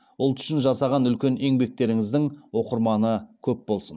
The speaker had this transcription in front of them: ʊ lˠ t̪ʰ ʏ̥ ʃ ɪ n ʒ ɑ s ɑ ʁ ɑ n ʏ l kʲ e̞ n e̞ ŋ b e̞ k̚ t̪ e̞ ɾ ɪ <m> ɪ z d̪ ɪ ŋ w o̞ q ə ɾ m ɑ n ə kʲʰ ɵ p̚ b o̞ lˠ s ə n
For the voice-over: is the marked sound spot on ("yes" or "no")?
no